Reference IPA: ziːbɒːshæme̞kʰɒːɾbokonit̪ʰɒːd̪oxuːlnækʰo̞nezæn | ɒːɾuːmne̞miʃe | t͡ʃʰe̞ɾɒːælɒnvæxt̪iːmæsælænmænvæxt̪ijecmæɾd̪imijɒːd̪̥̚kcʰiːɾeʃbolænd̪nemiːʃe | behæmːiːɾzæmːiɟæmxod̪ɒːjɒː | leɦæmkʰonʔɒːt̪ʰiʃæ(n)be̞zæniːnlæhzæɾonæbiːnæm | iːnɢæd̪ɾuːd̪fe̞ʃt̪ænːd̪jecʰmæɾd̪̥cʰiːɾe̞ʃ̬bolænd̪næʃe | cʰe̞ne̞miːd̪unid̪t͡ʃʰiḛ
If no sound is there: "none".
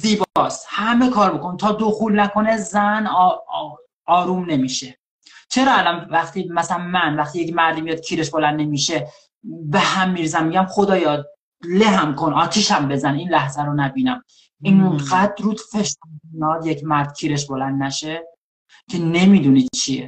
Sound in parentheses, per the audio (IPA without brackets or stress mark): m